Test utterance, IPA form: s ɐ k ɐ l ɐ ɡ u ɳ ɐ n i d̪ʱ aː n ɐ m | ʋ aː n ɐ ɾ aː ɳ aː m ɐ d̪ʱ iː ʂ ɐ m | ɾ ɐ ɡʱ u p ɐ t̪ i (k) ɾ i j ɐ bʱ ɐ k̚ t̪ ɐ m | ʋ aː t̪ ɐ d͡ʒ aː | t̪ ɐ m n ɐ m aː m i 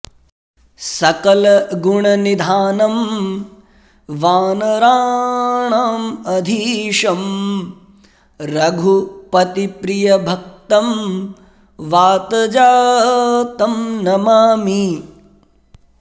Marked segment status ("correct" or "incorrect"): incorrect